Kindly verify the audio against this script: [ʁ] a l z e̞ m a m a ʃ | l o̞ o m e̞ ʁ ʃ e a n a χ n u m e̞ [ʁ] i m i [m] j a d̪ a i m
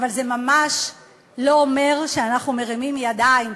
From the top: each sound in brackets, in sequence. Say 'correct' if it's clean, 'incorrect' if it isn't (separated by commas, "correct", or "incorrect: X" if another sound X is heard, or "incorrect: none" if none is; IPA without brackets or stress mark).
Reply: incorrect: v, correct, correct